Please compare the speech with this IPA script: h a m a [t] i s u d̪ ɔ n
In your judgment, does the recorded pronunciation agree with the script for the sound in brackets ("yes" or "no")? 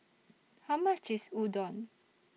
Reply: no